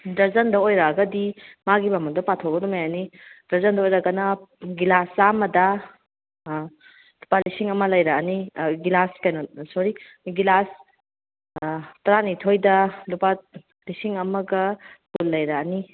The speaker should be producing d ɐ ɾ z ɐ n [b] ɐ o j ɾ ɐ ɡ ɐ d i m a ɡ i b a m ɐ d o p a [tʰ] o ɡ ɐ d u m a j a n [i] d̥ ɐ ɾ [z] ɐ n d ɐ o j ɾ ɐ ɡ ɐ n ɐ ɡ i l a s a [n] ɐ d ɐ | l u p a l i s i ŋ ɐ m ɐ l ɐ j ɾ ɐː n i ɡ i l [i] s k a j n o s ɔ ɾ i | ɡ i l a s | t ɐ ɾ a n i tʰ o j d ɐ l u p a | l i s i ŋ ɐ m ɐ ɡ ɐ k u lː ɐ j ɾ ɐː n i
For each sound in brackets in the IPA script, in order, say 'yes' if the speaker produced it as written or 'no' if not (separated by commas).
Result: no, yes, yes, yes, no, no